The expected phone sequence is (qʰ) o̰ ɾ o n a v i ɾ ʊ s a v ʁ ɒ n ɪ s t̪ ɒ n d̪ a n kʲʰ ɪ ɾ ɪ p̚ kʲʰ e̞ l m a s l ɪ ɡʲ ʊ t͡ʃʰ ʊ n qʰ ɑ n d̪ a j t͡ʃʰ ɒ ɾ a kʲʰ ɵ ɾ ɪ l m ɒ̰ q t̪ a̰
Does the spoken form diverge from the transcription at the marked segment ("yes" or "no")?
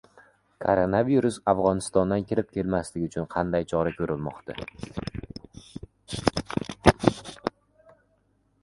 yes